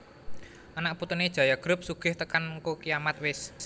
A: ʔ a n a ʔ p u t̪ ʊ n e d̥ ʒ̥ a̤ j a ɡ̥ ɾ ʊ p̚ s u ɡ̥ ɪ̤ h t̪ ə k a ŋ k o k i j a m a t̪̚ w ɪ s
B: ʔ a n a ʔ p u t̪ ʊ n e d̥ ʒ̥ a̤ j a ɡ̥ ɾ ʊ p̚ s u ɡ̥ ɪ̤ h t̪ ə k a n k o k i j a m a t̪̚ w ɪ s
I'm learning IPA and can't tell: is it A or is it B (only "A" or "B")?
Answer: B